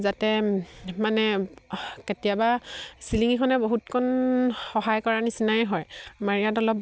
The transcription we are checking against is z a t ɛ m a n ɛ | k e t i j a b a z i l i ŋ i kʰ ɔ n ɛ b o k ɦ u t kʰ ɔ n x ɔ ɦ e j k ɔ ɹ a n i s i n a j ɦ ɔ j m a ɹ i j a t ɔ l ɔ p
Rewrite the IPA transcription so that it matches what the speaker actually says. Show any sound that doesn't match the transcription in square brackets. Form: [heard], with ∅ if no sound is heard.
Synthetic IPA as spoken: z a t ɛ m a n ɛ | k e t i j a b a [s] i l i ŋ i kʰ ɔ n ɛ b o [∅] ɦ u t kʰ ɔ n x ɔ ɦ [a] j k ɔ ɹ a n i s i n a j ɦ ɔ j m a ɹ i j a t ɔ l ɔ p